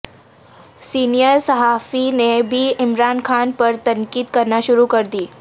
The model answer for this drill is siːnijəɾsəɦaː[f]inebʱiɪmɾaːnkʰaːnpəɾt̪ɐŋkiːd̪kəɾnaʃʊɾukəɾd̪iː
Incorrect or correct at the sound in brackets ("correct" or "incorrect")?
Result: correct